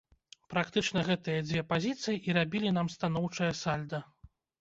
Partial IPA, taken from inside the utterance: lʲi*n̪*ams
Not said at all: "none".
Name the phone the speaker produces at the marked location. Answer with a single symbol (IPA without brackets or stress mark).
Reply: n̪